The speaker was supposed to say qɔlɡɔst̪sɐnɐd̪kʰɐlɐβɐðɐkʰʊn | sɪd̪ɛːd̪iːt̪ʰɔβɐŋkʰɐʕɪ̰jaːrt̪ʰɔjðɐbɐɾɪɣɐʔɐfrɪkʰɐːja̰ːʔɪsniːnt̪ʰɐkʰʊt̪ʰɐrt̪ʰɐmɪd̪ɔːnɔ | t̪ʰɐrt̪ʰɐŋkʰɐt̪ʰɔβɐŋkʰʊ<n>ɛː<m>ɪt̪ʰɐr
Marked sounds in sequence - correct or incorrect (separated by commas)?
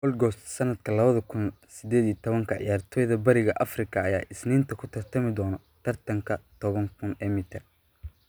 correct, correct